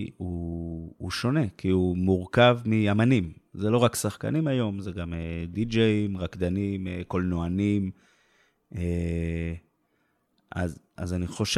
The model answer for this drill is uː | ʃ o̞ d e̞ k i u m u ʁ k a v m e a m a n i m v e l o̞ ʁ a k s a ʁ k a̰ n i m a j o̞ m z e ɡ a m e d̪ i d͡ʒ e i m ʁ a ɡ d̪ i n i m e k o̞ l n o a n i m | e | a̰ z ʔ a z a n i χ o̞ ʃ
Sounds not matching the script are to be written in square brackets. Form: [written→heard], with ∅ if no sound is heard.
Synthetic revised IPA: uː | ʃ o̞ [d→n] e̞ k i u m u ʁ k a v m [e→i] a m a n i m [v→z] e l o̞ ʁ a k s a [ʁ→χ] k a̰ n i m a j o̞ m z e ɡ a m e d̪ i d͡ʒ e i m ʁ a [ɡ→k] d̪ [i→a] n i m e k o̞ l n o a n i m | e | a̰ z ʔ a z a n i χ o̞ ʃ